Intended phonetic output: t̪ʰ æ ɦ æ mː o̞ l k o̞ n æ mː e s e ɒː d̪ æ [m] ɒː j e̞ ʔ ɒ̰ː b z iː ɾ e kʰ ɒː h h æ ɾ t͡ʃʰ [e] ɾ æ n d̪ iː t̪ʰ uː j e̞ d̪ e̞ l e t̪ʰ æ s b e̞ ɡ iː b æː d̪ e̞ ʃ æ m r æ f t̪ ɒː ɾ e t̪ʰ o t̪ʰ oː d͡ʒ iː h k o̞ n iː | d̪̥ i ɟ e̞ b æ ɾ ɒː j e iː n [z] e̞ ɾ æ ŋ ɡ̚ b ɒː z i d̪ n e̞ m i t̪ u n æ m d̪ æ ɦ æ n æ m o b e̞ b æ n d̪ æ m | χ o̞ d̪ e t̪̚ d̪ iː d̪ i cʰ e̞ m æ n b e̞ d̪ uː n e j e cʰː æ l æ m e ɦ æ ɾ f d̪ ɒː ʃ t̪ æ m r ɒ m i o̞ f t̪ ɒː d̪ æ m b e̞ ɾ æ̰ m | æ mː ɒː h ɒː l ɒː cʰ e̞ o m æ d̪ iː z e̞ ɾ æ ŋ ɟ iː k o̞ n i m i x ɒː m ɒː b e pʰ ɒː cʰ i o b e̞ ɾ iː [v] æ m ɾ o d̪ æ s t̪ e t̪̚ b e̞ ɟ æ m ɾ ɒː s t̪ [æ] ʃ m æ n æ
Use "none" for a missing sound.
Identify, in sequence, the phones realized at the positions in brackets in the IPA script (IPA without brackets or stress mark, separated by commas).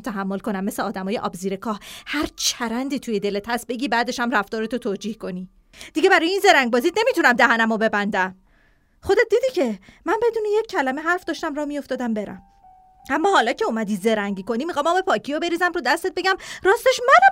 m, æ, z, z, e